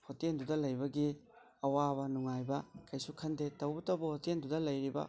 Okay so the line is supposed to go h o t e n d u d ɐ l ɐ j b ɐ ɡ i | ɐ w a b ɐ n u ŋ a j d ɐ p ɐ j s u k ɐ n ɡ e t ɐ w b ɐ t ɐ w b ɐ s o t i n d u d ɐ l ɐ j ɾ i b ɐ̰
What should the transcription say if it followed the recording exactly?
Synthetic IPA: h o t e n d u d ɐ l ɐ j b ɐ ɡ i | ɐ w a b ɐ n u ŋ a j b ɐ k ɐ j s u kʰ ɐ n d e t ɐ w b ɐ t ɐ w b ɐ h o t e n d u d ɐ l ɐ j ɾ i b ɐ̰

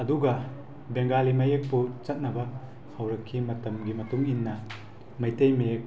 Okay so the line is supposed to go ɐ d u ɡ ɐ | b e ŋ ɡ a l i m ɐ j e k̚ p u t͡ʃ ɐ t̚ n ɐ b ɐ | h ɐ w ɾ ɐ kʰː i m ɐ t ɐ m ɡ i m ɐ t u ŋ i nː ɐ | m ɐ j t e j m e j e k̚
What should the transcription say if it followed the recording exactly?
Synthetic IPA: ɐ d u ɡ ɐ | b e ŋ ɡ a l i m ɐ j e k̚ p u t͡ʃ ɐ t̚ n ɐ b ɐ | h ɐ w ɾ ɐ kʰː i m ɐ t ɐ m ɡ i m ɐ t u ŋ i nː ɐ | m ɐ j t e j m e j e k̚

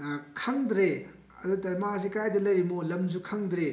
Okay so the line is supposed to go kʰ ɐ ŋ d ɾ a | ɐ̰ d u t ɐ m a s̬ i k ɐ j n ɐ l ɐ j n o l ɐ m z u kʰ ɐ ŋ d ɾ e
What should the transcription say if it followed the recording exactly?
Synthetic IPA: kʰ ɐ ŋ d ɾ e | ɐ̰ d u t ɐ m a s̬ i k a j d ɐ l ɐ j m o l ɐ m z u kʰ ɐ ŋ d ɾ e

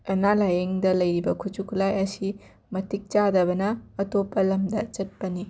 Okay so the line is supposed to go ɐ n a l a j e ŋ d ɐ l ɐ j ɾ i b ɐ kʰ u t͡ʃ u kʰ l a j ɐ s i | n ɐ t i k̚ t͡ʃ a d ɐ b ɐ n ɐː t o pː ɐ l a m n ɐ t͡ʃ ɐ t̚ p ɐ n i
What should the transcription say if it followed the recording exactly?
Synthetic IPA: ɐ n a l a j e ŋ d ɐ l ɐ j ɾ i b ɐ kʰ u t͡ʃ u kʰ l a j ɐ s i | m ɐ t i k̚ t͡ʃ a d ɐ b ɐ n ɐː t o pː ɐ l ɐ m d ɐ t͡ʃ ɐ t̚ p ɐ n i

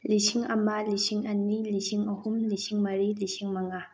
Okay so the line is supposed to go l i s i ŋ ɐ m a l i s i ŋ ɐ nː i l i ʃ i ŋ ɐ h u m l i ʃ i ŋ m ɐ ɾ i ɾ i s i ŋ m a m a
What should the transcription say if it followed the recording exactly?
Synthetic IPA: l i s i ŋ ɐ m a l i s i ŋ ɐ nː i l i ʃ i ŋ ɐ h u m l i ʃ i ŋ m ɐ ɾ i l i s i ŋ m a ŋ a

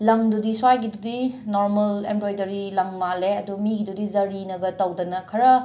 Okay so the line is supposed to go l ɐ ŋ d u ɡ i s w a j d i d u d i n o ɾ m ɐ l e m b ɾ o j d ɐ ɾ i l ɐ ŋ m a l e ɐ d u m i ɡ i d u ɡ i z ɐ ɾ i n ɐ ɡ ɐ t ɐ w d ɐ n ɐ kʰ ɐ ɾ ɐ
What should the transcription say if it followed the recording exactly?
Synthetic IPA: l ɐ ŋ d u d i s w a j ɡ i d u d i n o ɾ m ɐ l e m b ɾ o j d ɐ ɾ i l ɐ ŋ m a l e ɐ d u m i ɡ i d u d i z ɐ ɾ i n ɐ ɡ ɐ t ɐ w d ɐ n ɐ kʰ ɐ ɾ ɐ

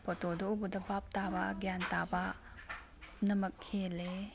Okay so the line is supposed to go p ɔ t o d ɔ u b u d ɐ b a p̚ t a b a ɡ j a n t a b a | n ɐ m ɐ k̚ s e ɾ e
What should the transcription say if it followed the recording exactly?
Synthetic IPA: p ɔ t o d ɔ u b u d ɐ b a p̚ t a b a ɡ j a n t a b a | n ɐ m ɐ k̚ h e l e

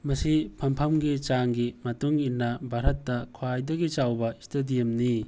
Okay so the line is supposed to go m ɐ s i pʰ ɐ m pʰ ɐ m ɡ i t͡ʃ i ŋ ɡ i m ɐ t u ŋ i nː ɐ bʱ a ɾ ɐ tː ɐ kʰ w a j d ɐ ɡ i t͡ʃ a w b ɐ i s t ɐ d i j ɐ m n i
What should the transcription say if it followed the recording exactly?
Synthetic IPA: m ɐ s i pʰ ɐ m pʰ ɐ m ɡ i t͡ʃ a ŋ ɡ i m ɐ t u ŋ i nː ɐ bʱ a ɾ ɐ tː ɐ kʰ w a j d ɐ ɡ i t͡ʃ a w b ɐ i s t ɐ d i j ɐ m n i

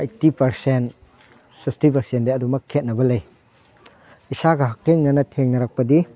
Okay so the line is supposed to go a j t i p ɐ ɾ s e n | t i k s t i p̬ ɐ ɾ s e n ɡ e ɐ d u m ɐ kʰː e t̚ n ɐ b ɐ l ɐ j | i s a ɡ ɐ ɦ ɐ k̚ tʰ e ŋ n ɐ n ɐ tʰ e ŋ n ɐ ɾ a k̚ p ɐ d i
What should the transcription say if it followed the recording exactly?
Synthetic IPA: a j t i p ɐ ɾ s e n | s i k s t i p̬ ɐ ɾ s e n d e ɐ d u m ɐ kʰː e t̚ n ɐ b ɐ l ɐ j | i s a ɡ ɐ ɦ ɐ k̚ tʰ e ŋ n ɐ n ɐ tʰ e ŋ n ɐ ɾ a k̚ p ɐ d i

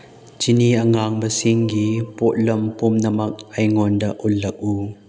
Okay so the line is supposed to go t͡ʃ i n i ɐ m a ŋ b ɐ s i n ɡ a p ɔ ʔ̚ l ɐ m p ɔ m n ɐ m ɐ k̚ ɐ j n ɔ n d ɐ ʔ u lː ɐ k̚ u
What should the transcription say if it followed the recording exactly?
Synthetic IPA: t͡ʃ i n i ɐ ŋ a ŋ b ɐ s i ŋ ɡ i p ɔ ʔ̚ l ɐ m p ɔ m n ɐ m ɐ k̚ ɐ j ŋ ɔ n d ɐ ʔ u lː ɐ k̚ u

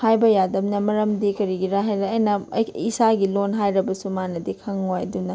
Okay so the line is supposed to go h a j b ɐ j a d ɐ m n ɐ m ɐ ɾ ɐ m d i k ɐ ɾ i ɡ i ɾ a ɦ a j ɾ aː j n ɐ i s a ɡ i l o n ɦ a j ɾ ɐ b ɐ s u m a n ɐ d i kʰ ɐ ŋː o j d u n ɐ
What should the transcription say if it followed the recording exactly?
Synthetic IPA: h a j b ɐ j a d ɐ m n ɐ m ɐ ɾ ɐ m d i k ɐ ɾ i ɡ i ɾ a ɦ a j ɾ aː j n ɐ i s a ɡ i l o n ɦ a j ɾ ɐ b ɐ s u m a n ɐ d i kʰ ɐ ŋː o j d u n ɐ

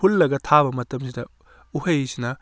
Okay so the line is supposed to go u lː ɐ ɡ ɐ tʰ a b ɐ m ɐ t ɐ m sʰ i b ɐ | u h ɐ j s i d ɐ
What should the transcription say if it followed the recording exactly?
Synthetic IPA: u lː ɐ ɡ ɐ tʰ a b ɐ m ɐ t ɐ m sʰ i d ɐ | u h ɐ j s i n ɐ

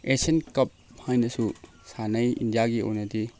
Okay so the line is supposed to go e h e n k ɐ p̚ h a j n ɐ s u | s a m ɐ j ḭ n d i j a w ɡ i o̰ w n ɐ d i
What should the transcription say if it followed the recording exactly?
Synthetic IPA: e s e n k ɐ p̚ h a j n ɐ s u | s a n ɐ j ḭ n d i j a ɡ i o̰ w n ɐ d i

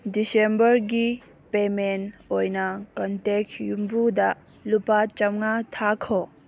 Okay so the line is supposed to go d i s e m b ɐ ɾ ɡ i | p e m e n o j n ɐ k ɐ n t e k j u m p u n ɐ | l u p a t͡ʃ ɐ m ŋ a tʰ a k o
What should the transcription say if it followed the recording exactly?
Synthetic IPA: d i s e m b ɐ ɾ ɡ i | p e m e n o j n ɐ k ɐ n t e k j u m b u d ɐ | l u p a t͡ʃ ɐ m ŋ a tʰ a kʰ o

